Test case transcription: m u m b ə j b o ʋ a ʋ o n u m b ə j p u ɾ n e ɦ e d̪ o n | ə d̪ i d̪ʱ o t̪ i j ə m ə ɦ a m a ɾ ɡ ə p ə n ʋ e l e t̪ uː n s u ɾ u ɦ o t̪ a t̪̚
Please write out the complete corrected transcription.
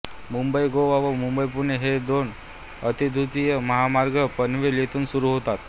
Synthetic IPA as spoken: m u m b ə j ɡ o ʋ a ʋ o m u m b ə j p u ɾ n e ɦ e d̪ o n | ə t̪ i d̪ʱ u t̪ i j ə m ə ɦ a m a ɾ ɡ ə p ə n ʋ e l e t̪ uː n s u ɾ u ɦ o t̪ a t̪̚